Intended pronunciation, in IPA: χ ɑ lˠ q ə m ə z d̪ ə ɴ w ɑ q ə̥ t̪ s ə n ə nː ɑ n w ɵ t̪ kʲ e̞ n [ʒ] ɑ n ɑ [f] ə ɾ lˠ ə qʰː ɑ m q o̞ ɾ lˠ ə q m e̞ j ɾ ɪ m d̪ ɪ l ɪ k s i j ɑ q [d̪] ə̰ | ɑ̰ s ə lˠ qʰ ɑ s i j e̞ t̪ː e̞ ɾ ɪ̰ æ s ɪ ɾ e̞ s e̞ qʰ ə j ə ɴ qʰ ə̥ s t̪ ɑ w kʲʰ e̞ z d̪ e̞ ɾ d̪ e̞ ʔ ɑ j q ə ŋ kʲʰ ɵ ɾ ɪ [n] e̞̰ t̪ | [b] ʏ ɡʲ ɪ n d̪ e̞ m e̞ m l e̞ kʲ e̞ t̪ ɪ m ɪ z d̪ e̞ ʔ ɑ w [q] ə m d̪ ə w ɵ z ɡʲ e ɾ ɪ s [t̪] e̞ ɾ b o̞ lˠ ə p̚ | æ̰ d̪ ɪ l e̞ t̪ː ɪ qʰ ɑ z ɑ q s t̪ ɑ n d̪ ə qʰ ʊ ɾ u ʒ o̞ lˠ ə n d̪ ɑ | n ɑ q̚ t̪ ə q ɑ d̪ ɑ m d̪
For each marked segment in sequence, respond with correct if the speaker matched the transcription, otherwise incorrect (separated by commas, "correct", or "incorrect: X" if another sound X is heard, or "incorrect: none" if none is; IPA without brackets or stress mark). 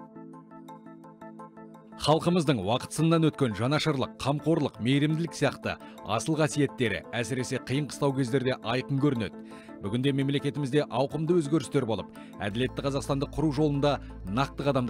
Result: correct, incorrect: ʃ, incorrect: t̪, correct, correct, correct, correct